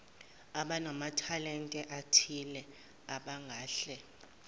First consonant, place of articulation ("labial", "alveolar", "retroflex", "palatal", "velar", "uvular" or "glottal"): labial